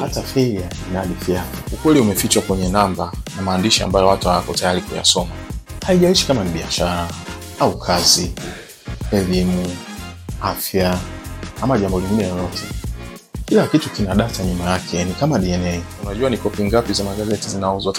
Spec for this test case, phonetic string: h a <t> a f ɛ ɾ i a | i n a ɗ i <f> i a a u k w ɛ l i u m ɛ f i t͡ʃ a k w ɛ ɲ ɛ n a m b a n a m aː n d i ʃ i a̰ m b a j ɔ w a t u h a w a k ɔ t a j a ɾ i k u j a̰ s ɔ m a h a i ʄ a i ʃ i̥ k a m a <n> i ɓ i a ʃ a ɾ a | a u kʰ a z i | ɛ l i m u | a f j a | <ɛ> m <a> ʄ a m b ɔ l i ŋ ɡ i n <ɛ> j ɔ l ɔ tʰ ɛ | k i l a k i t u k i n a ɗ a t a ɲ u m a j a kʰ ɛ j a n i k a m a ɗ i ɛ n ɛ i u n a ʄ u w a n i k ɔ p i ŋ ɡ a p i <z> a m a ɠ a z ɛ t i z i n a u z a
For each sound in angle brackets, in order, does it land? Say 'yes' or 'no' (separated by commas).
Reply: yes, yes, yes, no, yes, yes, yes